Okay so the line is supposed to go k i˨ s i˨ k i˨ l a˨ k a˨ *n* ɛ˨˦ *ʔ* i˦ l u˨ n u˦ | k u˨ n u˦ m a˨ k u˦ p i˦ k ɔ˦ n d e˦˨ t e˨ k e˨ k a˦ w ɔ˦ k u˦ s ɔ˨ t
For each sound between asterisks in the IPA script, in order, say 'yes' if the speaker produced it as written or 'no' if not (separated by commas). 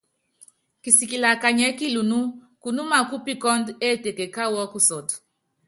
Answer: no, no